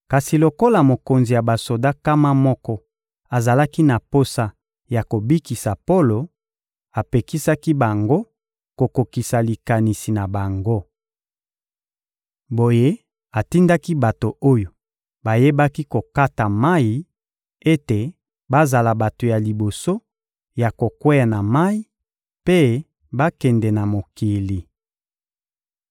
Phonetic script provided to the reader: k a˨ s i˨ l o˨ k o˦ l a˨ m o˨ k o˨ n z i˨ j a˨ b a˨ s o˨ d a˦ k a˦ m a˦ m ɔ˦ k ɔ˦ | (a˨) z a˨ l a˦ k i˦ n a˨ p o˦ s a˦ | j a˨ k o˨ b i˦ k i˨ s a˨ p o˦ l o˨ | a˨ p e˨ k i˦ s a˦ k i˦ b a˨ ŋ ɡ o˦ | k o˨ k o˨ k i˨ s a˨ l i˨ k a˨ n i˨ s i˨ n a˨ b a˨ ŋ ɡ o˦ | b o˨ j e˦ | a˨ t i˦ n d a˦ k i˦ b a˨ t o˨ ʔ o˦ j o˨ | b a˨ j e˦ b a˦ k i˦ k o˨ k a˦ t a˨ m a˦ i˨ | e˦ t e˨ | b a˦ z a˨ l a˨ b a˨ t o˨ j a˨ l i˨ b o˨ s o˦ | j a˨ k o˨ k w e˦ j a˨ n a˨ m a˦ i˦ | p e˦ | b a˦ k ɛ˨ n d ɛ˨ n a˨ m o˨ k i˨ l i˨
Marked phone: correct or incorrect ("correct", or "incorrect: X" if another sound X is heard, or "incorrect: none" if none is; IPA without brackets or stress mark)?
correct